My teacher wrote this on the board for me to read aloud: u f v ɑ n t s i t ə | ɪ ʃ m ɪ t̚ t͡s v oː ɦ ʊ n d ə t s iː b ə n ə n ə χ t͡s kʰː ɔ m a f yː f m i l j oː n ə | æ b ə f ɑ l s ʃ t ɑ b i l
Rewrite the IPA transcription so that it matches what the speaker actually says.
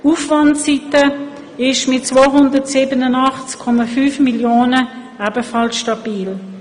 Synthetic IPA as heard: u f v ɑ n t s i t ə | ɪ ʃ m ɪ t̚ t͡s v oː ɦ ʊ n d ə t s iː b ə n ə n ɑ χ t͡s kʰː ɔ m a f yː f m i l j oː n ə | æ b ə f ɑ l s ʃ t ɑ b iː l